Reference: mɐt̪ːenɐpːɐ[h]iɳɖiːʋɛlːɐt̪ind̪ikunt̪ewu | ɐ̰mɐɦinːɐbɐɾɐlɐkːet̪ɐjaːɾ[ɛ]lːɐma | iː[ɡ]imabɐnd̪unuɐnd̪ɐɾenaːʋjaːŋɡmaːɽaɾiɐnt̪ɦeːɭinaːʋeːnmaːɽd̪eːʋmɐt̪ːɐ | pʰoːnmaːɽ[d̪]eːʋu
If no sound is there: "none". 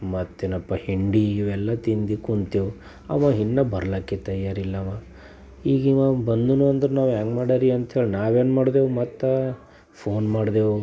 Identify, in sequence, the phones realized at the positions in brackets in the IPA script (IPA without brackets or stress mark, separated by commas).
h, i, ɡ, d̪